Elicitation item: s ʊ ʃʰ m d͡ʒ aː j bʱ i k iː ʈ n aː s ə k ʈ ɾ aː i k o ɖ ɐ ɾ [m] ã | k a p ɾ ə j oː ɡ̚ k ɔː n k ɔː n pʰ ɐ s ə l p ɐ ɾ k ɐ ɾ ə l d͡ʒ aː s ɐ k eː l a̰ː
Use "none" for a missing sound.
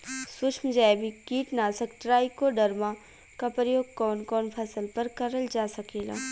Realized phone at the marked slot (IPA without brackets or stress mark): m